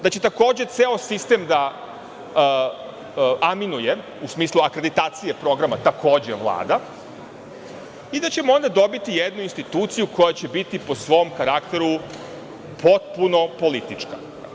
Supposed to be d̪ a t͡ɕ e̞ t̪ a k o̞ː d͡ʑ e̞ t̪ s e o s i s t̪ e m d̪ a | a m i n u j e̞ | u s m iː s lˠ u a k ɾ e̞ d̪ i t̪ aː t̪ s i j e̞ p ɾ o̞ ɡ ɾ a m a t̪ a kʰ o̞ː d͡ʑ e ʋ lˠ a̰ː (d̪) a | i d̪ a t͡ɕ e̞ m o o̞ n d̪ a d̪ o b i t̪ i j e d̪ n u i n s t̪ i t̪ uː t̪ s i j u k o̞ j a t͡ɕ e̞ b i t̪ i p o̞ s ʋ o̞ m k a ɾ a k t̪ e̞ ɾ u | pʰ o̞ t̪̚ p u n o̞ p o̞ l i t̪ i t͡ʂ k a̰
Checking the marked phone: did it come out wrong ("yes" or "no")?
no